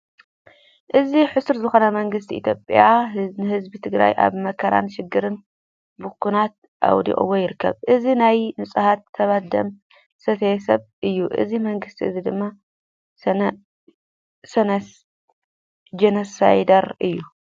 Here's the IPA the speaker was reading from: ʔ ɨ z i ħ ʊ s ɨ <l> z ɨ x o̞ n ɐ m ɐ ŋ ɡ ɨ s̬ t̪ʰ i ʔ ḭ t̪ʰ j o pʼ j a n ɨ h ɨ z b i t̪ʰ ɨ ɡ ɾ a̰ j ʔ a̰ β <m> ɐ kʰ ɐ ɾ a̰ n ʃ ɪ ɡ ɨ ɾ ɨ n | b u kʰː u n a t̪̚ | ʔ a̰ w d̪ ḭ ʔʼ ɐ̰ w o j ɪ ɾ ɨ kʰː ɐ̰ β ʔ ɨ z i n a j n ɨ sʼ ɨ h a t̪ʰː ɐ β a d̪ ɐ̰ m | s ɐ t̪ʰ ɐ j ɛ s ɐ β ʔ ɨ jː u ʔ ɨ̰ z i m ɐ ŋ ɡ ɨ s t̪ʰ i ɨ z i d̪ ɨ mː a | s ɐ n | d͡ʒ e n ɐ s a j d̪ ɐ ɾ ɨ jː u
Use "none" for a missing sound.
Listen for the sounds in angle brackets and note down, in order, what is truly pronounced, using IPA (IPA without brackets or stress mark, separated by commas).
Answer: ɾ, m